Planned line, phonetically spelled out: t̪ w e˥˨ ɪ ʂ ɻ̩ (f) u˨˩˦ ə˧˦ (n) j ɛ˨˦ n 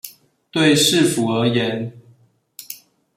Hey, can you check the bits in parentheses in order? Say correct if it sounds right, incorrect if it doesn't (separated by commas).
correct, incorrect